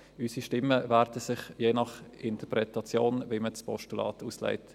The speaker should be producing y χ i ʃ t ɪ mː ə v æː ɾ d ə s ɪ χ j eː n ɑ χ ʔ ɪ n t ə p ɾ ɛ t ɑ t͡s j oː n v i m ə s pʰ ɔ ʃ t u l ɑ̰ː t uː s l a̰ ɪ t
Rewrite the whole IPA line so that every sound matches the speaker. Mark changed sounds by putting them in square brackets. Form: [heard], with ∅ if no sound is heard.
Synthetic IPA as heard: y [s] i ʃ t ɪ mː ə v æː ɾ d ə s ɪ χ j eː n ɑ χ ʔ ɪ n t ə p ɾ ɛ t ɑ t͡s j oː n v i m ə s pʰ ɔ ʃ t u l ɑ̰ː t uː s l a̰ ɪ t